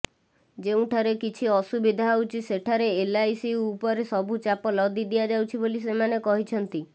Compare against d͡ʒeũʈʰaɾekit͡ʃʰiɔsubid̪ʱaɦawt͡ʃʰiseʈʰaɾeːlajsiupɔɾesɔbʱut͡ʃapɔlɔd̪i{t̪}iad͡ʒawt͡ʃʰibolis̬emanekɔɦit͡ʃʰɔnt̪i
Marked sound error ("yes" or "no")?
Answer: yes